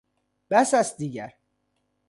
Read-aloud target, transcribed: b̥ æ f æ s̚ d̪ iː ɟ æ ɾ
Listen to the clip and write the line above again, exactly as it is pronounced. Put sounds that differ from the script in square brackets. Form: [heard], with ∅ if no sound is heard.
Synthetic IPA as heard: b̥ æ [s] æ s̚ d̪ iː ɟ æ ɾ